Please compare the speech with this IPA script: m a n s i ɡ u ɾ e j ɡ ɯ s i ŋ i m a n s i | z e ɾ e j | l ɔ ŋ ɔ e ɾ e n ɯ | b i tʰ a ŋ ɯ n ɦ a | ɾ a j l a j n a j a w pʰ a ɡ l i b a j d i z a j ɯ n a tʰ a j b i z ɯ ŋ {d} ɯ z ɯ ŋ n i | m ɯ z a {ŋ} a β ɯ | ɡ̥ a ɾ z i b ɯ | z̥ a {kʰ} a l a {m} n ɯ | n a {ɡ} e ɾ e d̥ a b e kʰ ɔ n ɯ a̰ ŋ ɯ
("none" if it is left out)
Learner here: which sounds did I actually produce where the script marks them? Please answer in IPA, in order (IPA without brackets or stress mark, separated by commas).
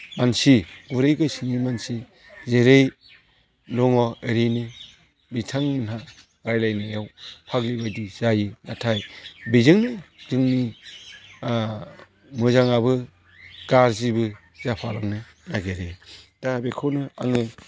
n, ŋ, pʰ, ŋ, ɡ